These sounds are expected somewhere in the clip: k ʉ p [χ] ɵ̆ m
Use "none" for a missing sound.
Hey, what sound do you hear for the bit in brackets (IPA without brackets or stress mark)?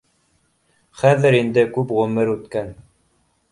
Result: ʁ